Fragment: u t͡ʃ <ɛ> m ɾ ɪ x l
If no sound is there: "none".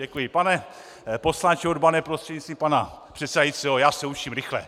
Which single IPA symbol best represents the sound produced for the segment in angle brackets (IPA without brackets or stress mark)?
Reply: i